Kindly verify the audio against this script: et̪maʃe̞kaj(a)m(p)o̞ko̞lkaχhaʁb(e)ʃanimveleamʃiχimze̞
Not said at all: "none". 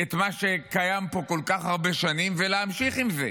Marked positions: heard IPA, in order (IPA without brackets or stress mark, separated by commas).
a, p, e